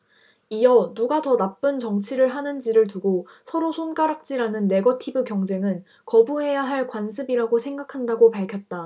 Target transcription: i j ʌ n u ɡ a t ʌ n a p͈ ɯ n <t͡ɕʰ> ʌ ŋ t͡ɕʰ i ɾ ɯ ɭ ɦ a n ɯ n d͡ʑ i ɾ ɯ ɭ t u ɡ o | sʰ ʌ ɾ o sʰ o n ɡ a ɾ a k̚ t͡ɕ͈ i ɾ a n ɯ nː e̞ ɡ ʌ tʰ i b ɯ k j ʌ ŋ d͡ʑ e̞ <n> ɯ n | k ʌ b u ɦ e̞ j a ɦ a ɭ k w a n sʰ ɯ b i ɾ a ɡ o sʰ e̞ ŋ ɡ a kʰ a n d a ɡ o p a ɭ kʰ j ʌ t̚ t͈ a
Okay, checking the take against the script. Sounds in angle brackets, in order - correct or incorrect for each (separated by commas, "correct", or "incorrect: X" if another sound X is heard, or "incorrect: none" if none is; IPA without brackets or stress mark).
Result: incorrect: t͡ɕ, incorrect: ŋ